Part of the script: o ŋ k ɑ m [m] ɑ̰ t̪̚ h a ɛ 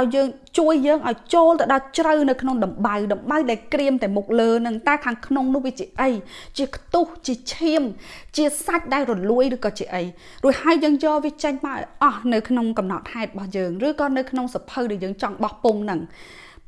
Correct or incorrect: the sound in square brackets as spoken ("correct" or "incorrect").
incorrect